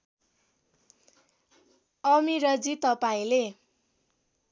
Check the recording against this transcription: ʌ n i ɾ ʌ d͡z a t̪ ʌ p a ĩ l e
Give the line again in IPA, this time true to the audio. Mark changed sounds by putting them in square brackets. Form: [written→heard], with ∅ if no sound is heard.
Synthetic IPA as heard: ʌ [n→m] i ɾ ʌ d͡z [a→i] t̪ ʌ p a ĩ l e